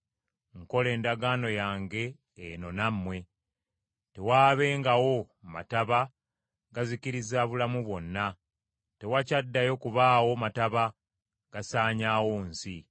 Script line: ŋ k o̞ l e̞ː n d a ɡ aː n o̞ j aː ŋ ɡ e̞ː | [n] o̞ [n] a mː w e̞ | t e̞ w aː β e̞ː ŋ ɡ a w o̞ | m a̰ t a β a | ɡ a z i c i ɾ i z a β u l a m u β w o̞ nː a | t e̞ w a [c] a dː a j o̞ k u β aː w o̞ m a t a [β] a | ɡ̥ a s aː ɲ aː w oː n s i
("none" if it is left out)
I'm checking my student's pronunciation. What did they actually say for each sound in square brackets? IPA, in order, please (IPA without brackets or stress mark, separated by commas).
n, n, c, β